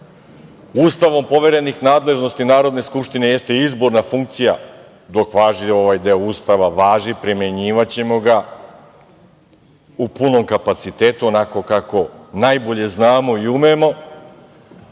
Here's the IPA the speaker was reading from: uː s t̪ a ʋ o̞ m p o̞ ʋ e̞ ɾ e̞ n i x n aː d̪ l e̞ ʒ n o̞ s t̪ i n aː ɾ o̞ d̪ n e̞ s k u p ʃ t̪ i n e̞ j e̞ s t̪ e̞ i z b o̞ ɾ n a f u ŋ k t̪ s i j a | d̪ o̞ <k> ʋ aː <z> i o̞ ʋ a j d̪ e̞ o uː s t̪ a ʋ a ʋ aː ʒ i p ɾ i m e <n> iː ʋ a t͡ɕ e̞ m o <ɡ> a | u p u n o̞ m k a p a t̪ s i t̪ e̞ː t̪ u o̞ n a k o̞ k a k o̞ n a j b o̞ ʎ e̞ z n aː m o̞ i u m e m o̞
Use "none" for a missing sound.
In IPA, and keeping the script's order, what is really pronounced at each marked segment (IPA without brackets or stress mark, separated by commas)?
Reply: k, ʒ, ɲ, ɡ